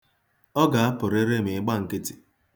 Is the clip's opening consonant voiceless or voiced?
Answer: voiced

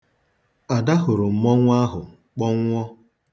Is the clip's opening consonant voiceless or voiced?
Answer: voiced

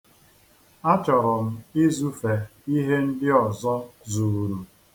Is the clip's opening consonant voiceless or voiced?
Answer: voiceless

